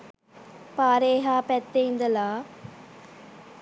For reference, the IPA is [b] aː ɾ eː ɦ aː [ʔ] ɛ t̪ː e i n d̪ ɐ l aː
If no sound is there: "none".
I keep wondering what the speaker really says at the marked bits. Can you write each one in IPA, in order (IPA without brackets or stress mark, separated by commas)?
p, p